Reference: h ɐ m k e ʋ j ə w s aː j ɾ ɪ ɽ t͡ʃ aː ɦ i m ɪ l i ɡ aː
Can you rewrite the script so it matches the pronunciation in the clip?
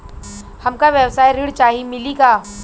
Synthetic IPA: h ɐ m k a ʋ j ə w s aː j ɾ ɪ ɽ t͡ʃ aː ɦ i m ɪ l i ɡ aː